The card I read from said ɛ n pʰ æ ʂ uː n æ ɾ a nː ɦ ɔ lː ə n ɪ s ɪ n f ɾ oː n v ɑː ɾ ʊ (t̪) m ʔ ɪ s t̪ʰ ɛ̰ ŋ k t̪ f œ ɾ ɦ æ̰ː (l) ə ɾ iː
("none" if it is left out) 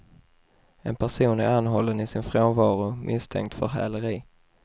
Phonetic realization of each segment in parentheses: none, l

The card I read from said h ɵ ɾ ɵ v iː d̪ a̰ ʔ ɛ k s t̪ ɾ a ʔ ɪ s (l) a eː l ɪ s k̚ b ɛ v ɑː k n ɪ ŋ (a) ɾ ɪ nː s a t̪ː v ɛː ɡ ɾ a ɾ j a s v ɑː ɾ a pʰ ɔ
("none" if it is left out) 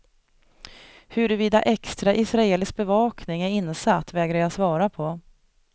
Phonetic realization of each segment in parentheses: ɾ, æ

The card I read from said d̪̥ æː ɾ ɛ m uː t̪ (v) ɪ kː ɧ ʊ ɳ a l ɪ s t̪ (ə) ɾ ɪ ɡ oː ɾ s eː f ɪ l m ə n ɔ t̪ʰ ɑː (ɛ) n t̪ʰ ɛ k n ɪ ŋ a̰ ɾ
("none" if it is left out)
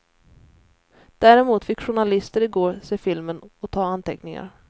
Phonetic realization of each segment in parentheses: f, ə, a

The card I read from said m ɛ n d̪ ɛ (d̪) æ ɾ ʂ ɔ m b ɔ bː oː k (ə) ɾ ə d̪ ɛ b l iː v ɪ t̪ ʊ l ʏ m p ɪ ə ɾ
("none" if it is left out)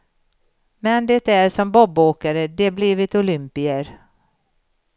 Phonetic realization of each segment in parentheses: t̪, a

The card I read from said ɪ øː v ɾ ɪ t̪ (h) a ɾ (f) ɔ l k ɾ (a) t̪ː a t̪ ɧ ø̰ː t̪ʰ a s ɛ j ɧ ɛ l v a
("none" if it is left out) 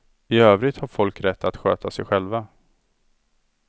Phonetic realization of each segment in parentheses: h, f, ɛ

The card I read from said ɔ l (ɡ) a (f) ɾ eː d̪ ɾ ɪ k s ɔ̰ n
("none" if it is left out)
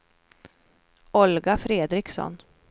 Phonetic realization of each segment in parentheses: ɡ, f

